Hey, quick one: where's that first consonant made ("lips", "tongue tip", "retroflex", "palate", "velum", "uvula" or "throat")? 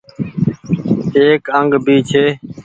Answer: velum